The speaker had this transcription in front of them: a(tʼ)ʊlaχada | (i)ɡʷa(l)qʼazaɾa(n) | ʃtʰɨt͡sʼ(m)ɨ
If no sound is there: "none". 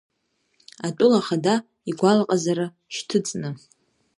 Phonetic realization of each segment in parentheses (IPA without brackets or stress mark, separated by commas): tʼ, i, l, none, n